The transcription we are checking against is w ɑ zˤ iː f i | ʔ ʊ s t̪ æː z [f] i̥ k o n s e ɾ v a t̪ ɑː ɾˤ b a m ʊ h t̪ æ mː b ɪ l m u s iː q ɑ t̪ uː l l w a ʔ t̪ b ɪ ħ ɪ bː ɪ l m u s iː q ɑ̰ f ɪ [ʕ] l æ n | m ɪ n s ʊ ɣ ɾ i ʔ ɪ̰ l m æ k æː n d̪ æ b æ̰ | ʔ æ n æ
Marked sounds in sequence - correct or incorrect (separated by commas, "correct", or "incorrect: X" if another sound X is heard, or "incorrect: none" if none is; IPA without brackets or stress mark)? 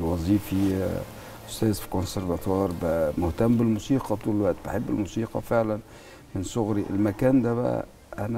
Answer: correct, correct